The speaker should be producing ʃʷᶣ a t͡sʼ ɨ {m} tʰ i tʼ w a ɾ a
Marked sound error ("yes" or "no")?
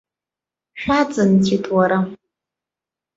yes